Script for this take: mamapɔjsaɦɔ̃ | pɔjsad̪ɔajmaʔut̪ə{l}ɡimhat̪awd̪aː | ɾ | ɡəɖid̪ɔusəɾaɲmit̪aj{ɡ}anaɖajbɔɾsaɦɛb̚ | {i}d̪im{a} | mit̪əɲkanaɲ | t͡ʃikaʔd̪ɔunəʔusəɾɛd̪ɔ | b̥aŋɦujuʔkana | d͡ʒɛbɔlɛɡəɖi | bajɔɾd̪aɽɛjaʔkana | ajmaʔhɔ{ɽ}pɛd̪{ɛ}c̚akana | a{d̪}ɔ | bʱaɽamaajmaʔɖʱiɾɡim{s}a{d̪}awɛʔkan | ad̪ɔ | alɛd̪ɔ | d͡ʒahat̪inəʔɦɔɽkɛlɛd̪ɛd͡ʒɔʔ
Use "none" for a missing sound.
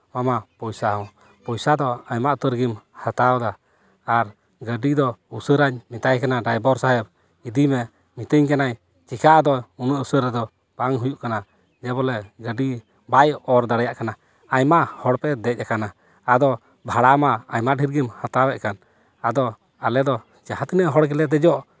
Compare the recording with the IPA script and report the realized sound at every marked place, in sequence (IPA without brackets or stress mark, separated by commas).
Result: ɾ, k, i, ɛ, ɽ, ɛ, d̪, h, t̪